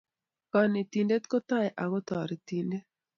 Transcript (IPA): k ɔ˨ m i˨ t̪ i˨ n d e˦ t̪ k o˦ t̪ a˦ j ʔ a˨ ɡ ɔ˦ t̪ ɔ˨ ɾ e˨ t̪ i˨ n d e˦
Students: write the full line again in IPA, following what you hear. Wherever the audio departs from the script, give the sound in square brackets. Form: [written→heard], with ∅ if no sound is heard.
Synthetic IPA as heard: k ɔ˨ [m→n] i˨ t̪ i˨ n d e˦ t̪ k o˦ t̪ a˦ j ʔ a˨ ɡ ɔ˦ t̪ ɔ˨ ɾ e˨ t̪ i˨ n d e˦